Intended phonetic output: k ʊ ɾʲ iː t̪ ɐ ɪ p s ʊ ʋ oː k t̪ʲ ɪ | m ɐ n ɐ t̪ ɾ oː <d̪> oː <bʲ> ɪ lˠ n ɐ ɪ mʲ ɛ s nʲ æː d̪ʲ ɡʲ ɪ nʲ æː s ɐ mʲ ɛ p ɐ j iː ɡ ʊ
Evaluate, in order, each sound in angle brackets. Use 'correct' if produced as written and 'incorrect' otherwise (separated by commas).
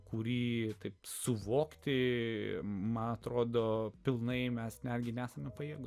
correct, incorrect